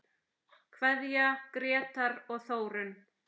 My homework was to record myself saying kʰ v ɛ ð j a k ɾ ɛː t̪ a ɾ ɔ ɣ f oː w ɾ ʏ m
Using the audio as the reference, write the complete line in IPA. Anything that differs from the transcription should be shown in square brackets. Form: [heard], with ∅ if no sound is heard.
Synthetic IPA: kʰ v ɛ ð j a k ɾ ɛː t̪ a ɾ ɔ ɣ [θ] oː w ɾ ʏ [n]